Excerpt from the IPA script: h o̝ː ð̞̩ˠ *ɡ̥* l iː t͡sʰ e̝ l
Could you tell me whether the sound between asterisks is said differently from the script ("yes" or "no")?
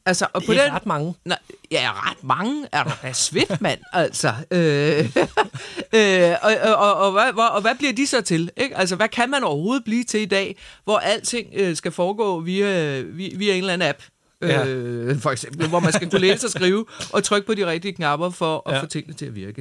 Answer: yes